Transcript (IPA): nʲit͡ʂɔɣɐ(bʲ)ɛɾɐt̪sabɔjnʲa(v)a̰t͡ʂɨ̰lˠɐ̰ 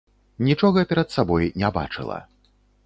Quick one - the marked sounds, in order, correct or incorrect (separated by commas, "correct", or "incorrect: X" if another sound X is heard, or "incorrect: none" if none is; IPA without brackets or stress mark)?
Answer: incorrect: pʲ, incorrect: b